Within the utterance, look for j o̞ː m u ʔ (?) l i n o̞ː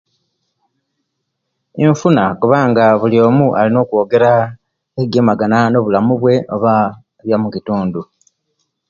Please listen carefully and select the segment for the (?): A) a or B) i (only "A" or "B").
A